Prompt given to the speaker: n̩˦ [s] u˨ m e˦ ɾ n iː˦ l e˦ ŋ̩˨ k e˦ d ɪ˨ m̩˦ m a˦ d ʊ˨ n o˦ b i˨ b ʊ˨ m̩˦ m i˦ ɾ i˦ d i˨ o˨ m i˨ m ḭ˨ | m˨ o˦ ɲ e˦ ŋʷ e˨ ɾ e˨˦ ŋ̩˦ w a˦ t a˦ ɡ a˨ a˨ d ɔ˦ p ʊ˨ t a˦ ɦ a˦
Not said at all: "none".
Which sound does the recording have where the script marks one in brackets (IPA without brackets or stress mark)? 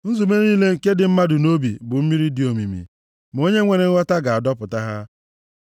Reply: z